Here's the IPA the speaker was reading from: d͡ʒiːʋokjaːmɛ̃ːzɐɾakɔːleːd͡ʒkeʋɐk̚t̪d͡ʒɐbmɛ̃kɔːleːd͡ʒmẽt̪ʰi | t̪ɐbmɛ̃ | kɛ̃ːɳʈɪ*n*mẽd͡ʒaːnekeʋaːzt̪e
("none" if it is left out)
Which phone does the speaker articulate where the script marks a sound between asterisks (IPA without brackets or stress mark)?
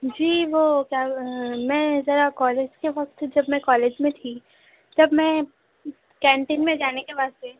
n